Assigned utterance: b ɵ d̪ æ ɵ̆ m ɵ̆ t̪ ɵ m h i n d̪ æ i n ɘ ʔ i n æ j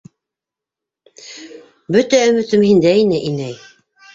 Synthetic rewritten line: b ɵ t̪ æ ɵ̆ m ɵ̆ t̪ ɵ m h i n d̪ æ i n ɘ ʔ i n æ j